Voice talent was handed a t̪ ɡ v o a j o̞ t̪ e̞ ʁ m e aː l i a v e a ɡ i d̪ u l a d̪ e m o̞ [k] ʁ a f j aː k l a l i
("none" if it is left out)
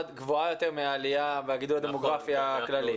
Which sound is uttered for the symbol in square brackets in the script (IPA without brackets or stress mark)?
ɡ